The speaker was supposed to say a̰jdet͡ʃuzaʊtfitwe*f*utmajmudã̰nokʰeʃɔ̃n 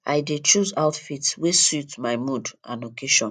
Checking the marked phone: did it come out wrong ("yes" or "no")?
yes